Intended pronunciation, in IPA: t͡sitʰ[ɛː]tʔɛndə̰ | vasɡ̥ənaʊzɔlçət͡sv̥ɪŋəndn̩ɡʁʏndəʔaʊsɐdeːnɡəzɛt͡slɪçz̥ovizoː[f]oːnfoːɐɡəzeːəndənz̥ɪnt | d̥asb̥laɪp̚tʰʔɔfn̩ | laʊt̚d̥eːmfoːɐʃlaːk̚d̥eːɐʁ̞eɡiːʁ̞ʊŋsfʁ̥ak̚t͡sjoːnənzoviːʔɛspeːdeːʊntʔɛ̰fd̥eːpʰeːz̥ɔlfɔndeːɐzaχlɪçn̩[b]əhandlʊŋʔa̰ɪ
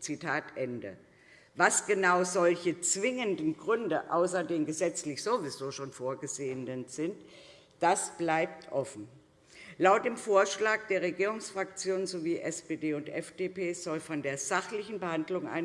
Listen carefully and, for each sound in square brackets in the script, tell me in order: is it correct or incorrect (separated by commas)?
incorrect, incorrect, correct